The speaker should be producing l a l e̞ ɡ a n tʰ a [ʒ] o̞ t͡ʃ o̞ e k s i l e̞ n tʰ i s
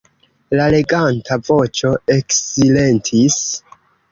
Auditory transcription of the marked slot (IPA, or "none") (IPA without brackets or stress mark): v